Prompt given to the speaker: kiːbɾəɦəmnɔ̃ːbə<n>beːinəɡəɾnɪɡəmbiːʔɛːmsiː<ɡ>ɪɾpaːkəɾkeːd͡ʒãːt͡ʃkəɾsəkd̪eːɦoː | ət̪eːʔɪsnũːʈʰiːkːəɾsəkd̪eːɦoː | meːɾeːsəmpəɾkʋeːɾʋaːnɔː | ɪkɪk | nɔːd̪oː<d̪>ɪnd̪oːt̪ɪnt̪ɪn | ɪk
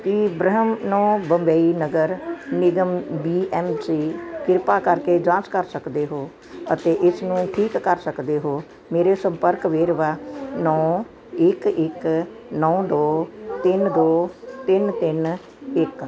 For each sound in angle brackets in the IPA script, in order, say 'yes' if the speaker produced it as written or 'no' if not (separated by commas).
no, no, no